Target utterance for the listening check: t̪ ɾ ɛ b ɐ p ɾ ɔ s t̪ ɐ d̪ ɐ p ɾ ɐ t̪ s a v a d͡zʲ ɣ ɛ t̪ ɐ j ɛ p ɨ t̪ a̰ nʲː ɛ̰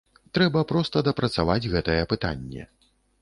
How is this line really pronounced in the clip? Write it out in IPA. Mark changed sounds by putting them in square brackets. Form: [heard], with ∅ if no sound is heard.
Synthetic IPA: t̪ ɾ ɛ b ɐ p ɾ ɔ s t̪ ɐ d̪ ɐ p ɾ ɐ t̪ s a v a d͡zʲ ɣ ɛ t̪ ɐ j ɛ p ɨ t̪ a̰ nʲː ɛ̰